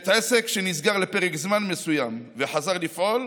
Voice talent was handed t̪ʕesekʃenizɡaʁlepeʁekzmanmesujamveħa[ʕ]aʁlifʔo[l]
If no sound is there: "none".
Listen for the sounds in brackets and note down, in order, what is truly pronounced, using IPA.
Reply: z, l

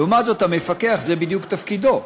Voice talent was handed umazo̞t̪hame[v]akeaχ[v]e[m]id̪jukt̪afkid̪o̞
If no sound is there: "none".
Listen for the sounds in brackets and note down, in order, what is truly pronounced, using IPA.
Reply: f, z, b

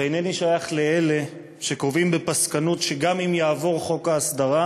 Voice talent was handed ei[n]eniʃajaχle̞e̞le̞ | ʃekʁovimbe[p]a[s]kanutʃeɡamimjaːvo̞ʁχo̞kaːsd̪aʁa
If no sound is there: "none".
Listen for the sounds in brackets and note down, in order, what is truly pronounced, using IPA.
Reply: n, p, s

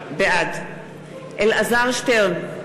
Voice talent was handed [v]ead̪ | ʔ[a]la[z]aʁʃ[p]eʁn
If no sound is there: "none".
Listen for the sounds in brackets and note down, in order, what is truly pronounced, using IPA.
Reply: b, e, z, t

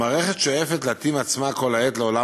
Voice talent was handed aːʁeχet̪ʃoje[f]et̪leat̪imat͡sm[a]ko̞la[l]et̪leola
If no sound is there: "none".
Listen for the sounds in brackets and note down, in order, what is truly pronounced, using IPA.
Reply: f, a, none

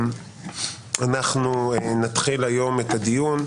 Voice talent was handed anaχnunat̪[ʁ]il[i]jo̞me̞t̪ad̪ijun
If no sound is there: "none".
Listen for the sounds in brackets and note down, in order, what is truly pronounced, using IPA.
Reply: χ, a

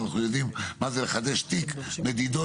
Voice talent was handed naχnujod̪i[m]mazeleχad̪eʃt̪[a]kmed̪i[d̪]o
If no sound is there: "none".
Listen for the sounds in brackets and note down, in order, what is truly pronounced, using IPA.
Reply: m, i, d̪

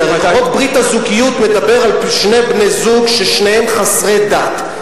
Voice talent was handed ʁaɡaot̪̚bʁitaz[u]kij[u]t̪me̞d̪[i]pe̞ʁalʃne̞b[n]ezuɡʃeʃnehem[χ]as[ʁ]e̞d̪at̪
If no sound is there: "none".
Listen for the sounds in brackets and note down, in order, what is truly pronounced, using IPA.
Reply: u, u, a, n, χ, ʁ

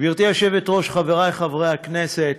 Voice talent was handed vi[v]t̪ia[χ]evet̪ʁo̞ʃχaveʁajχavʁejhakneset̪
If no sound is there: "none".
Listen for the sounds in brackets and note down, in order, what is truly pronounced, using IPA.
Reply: ʁ, ʃ

